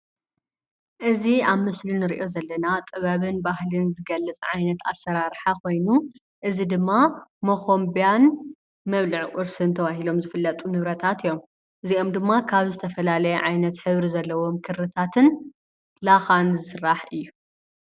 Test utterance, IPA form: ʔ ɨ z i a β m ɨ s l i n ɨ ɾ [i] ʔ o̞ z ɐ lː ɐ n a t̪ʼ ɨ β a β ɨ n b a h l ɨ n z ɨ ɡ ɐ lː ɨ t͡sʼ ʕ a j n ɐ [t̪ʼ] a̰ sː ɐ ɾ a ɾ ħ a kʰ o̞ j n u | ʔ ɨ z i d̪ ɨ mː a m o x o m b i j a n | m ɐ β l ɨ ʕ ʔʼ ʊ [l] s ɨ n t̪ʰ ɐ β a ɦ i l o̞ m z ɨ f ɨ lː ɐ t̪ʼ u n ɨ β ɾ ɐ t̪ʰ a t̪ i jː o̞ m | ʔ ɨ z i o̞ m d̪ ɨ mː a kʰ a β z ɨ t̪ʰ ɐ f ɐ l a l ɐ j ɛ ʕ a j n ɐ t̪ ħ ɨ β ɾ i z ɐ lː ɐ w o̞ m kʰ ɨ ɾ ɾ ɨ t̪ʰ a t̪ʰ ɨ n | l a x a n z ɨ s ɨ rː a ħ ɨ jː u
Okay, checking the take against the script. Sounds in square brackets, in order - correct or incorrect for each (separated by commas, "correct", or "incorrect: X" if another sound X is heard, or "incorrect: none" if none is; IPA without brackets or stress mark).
correct, incorrect: t̪, incorrect: ɾ